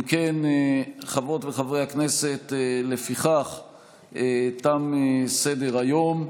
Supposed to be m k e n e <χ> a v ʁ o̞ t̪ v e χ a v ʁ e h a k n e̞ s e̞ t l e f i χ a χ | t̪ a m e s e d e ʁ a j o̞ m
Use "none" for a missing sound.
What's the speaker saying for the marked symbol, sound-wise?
χ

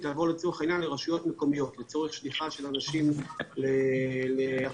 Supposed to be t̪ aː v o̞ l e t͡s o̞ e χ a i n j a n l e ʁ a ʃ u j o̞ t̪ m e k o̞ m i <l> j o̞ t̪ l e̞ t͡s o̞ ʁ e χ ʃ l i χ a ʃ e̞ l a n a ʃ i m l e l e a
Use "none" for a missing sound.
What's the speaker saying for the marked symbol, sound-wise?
none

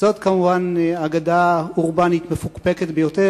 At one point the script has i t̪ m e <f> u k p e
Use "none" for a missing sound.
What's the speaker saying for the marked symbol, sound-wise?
f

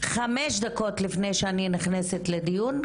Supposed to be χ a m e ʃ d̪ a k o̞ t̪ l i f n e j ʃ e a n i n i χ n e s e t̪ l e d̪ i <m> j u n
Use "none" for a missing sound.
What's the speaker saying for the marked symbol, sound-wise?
none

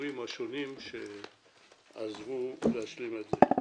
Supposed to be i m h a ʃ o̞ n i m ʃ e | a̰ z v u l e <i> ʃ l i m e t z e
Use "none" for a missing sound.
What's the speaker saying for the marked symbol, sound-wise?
a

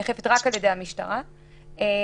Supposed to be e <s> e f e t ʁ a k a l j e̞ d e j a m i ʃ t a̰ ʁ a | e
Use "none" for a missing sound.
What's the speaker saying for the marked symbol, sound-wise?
χ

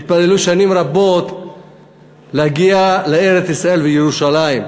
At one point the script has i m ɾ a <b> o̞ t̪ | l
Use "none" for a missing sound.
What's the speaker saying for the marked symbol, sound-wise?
b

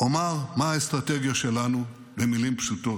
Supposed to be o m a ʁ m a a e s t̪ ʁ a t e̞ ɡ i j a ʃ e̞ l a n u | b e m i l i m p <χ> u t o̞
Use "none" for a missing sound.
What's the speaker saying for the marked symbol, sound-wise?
ʃ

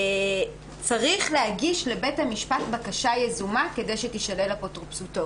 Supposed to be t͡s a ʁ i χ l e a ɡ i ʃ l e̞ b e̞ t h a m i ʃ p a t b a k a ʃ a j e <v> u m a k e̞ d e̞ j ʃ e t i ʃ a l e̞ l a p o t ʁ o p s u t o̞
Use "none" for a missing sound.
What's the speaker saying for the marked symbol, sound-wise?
z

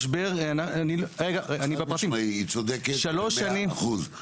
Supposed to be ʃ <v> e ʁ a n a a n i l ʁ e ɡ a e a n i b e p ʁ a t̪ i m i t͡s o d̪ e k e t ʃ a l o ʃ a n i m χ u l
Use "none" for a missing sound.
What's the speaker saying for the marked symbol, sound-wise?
b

